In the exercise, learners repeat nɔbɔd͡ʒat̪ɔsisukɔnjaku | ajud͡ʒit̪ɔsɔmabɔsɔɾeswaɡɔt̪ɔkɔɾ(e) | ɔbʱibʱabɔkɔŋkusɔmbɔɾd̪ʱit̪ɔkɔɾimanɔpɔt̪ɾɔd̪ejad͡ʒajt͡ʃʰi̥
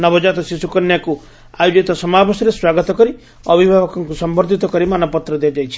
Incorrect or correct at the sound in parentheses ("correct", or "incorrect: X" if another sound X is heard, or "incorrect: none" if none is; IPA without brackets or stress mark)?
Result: incorrect: i